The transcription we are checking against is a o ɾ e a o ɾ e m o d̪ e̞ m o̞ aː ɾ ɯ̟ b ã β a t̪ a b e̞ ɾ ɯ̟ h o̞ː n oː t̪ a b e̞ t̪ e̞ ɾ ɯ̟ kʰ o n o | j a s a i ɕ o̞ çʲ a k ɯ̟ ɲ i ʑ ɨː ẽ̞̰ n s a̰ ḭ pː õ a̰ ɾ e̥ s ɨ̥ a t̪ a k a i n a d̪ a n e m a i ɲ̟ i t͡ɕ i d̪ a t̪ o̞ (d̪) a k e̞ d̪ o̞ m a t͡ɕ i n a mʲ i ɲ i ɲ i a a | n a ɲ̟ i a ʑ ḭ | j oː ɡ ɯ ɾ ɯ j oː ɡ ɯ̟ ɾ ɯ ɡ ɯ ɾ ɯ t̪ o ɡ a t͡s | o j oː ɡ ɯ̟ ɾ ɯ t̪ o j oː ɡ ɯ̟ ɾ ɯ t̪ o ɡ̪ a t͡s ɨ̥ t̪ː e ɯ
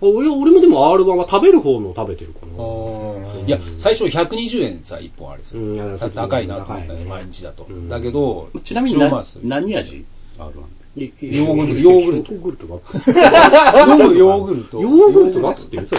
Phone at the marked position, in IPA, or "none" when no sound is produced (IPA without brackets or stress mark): d̪